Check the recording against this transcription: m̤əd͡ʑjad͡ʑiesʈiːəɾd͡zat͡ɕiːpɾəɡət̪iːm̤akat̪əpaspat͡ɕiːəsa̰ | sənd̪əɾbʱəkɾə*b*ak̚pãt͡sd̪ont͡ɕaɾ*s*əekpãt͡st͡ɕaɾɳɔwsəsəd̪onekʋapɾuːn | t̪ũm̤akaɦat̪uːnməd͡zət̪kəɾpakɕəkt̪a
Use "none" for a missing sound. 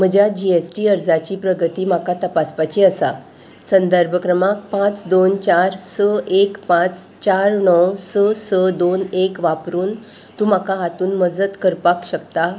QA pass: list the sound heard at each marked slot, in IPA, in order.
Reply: m, s

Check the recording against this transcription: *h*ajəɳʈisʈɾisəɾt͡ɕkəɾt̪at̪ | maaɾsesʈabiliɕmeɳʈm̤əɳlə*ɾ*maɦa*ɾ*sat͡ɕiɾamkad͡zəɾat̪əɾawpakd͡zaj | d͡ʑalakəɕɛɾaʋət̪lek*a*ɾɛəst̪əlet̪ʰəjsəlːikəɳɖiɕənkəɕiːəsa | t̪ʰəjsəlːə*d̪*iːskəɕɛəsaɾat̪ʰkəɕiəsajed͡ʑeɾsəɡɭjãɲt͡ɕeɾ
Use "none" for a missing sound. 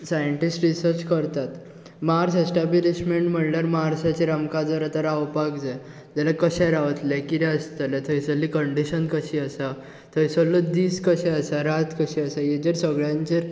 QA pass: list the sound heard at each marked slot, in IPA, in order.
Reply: s, ɾ, ɾ, i, d̪

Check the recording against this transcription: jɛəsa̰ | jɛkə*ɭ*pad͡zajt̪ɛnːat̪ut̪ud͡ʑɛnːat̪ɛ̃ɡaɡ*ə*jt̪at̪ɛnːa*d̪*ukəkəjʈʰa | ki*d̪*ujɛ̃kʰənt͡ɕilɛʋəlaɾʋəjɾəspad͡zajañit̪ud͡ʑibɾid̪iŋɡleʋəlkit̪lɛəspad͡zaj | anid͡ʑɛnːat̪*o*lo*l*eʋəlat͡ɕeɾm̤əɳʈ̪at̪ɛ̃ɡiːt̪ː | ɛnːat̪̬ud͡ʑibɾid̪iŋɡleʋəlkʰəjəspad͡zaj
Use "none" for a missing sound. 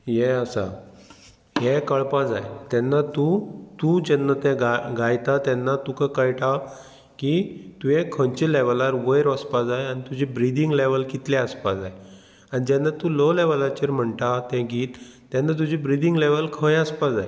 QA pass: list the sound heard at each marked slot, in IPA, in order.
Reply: ɭ, a, t̪, t̪, u, l

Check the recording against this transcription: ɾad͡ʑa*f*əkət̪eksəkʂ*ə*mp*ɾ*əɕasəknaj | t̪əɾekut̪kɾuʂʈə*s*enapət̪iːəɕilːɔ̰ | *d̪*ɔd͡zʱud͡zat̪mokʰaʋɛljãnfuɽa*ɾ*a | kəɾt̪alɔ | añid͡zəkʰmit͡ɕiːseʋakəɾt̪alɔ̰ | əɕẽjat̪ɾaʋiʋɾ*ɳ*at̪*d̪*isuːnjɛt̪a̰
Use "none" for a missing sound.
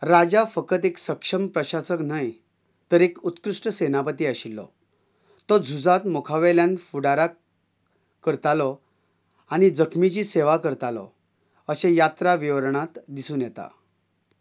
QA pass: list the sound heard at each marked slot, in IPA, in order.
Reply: f, ə, ɾ, s, t̪, ɾ, ɳ, d̪

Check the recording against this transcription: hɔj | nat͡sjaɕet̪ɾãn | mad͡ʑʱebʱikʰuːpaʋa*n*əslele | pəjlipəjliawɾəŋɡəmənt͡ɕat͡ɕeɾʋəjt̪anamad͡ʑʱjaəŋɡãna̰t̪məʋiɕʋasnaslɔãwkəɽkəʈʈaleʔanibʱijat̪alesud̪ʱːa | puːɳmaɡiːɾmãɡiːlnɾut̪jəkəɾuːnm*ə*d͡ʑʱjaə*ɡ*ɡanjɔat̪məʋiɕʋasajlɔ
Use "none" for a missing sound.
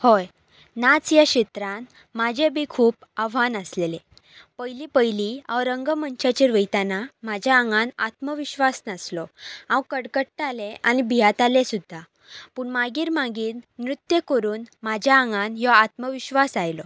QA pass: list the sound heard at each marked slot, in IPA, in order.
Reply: n, a, ŋ

